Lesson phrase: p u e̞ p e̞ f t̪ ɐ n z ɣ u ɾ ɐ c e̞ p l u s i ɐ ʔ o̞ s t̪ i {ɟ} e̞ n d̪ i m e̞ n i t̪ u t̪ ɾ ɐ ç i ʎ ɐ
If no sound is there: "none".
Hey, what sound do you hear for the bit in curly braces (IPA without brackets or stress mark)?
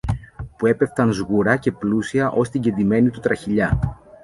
ɟ